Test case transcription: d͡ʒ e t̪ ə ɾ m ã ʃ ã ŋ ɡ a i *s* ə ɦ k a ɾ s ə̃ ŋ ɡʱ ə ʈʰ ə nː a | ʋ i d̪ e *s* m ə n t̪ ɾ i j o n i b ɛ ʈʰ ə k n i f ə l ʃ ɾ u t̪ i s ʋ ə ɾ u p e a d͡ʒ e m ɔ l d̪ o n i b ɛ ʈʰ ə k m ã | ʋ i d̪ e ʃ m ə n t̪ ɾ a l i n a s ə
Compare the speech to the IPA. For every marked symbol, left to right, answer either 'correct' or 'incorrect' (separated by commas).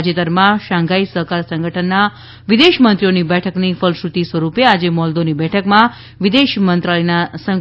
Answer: correct, incorrect